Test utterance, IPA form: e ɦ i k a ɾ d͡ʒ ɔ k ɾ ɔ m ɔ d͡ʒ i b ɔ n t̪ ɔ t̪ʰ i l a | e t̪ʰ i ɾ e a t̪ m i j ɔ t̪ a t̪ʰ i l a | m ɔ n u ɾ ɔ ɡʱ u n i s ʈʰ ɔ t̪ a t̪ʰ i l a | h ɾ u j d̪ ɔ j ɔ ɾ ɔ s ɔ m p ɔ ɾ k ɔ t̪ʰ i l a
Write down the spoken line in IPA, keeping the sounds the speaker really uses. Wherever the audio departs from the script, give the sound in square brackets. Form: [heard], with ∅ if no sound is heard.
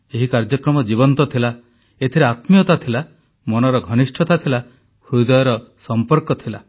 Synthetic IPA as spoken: e ɦ i k a ɾ d͡ʒ ɔ k ɾ ɔ m ɔ d͡ʒ i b ɔ n t̪ ɔ t̪ʰ i l a | e t̪ʰ i ɾ e a t̪ m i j ɔ t̪ a t̪ʰ i l a | m ɔ n [ɔ] ɾ ɔ ɡʱ [ɔ] n i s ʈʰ ɔ t̪ a t̪ʰ i l a | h ɾ u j d̪ ɔ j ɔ ɾ ɔ s ɔ m p ɔ ɾ k ɔ t̪ʰ i l a